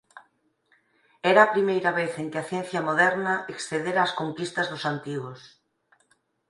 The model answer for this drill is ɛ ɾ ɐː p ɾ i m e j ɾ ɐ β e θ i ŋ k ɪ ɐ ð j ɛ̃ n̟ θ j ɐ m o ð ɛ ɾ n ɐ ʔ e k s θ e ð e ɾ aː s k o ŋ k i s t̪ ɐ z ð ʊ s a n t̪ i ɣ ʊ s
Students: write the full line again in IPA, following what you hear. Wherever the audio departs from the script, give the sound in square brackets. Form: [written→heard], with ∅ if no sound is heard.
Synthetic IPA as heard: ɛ ɾ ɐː p ɾ i m e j ɾ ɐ β e θ [i→e] ŋ k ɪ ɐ [ð→θ] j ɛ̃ n̟ θ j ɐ m o ð ɛ ɾ n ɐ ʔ e k s θ e ð e ɾ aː s k o ŋ k i s t̪ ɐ z ð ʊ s a n t̪ i ɣ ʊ s